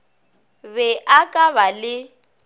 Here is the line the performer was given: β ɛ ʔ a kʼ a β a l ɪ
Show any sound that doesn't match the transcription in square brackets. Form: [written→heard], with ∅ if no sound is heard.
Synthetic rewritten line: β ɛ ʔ a kʼ a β a l ɪ

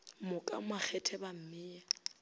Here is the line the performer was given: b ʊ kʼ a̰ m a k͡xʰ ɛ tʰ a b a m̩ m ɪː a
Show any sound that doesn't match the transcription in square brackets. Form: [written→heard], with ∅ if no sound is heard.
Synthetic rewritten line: [b→m] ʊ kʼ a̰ m a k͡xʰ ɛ tʰ [a→ɛ] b a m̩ m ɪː a

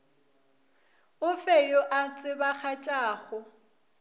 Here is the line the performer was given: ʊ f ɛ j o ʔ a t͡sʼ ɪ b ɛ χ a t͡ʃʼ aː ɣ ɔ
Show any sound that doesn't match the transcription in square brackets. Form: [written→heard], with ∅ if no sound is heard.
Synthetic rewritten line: ʊ f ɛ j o ʔ a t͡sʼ ɪ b [ɛ→a] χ a t͡ʃʼ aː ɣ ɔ

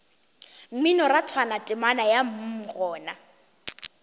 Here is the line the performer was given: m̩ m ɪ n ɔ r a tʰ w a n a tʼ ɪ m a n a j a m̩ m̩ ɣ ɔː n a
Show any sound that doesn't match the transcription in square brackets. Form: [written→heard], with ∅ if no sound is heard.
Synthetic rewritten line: m̩ m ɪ n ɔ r a tʰ w a n a tʼ ɪ m a n a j a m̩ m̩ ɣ ɔː n a

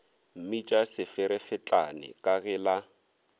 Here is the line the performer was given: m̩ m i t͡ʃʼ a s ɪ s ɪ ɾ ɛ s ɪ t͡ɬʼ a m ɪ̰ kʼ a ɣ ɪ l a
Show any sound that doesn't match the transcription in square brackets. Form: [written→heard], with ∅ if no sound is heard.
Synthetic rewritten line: m̩ m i t͡ʃʼ a s ɪ [s→f] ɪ ɾ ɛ [s→f] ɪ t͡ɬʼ a [m→n] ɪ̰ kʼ a ɣ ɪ l a

